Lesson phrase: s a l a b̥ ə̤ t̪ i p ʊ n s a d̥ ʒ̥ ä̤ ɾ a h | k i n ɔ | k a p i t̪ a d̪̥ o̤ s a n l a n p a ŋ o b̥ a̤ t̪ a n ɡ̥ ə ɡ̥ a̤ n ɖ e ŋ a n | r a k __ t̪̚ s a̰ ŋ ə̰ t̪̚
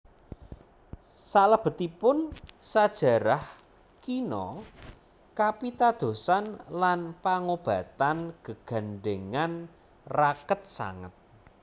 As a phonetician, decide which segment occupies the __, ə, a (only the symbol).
ə